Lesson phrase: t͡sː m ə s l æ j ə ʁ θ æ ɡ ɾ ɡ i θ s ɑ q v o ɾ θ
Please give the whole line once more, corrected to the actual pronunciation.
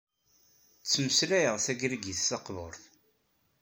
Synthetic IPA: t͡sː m ə s l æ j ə ʁ θ æ ɡ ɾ ɡ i θ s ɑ q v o ɾ θ